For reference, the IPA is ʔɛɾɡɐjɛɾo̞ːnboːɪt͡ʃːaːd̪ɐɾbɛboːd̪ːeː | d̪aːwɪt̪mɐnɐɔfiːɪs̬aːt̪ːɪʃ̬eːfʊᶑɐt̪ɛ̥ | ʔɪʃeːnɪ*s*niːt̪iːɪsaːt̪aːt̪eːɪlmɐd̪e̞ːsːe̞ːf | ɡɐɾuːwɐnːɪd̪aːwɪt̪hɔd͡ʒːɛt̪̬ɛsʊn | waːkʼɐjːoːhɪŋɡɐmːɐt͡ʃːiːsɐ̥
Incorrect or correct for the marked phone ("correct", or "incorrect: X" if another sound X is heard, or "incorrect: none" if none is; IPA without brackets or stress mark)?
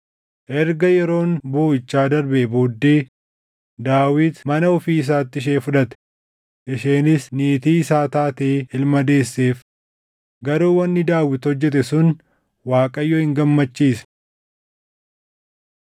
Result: correct